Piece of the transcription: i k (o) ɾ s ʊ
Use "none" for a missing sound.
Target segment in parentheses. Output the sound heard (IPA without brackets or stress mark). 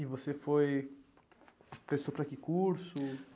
u